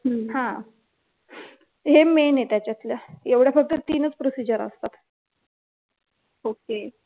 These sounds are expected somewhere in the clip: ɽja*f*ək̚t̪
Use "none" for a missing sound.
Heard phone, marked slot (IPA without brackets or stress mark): f